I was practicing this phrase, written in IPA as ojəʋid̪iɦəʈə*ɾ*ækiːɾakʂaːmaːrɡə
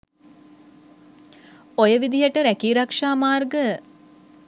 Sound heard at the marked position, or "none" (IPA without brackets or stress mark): ɾ